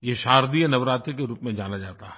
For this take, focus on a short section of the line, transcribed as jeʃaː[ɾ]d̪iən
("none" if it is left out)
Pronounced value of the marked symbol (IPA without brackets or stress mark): ɾ